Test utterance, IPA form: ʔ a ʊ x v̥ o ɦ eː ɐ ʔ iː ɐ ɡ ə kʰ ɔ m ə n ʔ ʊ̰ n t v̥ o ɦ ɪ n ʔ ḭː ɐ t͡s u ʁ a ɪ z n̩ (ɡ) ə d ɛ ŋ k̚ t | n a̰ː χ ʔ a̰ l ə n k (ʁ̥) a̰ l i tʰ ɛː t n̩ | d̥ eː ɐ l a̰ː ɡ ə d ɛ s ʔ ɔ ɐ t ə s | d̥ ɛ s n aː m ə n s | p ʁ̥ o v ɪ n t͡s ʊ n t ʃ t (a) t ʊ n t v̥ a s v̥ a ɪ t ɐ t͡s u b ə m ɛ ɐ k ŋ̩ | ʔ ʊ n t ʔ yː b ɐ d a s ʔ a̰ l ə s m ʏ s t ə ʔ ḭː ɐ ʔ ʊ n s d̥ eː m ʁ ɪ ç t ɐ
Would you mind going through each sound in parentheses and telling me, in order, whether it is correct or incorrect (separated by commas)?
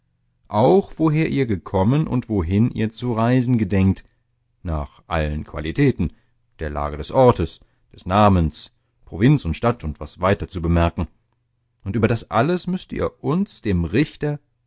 correct, incorrect, correct